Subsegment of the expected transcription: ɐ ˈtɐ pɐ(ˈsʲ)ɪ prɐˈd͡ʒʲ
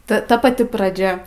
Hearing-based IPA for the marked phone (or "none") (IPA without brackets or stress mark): tʲ